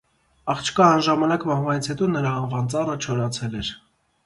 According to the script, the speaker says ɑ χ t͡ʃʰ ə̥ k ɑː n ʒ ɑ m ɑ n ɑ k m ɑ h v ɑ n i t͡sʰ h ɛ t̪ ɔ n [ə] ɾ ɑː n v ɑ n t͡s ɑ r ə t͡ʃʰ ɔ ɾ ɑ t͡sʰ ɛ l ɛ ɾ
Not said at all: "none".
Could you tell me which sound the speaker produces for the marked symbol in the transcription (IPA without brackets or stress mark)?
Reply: ə